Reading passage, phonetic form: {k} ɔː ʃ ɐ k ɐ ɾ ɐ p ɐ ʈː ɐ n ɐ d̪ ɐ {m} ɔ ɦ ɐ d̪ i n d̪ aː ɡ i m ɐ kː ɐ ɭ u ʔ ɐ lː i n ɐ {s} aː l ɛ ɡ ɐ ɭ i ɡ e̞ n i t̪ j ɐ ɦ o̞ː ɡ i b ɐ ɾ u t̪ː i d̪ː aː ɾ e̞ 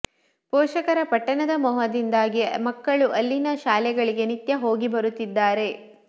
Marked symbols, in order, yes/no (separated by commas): no, yes, no